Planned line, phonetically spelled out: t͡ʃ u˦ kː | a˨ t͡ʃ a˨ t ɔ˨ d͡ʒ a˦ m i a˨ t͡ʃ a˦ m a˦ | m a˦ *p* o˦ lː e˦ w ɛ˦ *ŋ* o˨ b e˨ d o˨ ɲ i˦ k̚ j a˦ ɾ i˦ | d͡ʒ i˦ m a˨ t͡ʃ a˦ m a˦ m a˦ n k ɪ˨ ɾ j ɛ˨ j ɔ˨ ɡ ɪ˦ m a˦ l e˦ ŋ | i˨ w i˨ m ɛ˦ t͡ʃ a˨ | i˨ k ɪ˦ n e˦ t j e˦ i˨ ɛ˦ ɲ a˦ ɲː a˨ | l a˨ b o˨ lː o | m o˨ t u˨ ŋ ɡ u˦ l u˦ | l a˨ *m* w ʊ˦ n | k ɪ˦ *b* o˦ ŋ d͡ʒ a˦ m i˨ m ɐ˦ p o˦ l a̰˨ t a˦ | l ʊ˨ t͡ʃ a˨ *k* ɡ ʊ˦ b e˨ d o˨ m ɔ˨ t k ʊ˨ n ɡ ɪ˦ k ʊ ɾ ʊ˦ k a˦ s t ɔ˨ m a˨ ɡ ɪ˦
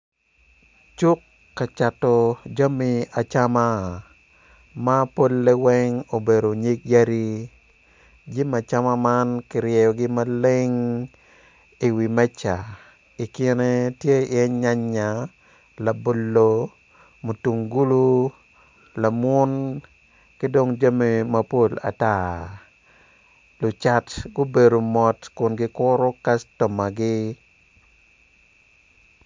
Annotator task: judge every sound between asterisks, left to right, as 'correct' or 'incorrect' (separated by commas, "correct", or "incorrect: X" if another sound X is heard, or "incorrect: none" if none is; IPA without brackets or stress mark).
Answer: correct, correct, correct, incorrect: d, incorrect: t